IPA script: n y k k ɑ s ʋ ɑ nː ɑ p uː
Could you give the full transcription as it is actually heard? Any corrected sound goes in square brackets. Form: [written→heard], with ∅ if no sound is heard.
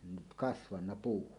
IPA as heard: n y [k→t] k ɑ s ʋ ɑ nː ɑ p uː